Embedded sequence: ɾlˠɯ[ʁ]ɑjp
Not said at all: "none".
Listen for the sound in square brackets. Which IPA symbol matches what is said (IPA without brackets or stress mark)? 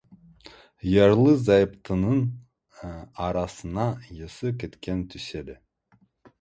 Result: z